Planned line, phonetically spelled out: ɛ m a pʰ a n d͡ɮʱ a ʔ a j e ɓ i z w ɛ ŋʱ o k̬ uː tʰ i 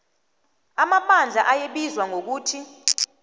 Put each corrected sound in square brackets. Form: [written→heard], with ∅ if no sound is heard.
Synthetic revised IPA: [ɛ→a] m a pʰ a n d͡ɮʱ a ʔ a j e ɓ i z w [ɛ→a] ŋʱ o k̬ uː tʰ i